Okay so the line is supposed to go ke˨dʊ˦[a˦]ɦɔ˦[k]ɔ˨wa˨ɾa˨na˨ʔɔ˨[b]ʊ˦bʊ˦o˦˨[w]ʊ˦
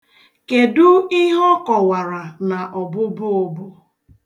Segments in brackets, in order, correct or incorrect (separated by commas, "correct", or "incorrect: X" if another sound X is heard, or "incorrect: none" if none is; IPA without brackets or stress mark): incorrect: i˦, correct, correct, incorrect: b